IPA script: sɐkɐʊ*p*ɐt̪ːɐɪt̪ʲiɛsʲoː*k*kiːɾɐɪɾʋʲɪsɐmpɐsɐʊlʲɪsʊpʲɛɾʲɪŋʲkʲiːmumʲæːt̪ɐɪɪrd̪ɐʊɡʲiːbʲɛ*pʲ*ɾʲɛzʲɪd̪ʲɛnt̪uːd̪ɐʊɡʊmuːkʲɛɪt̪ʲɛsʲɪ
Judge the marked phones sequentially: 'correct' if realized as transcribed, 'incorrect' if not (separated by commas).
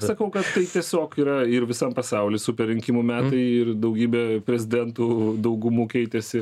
incorrect, correct, correct